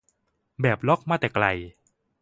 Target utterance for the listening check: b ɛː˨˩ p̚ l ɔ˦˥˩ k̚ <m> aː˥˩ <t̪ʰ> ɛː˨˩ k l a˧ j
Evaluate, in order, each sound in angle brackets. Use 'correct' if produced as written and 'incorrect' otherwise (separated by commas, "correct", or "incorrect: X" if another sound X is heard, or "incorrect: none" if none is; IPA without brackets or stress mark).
correct, incorrect: t̪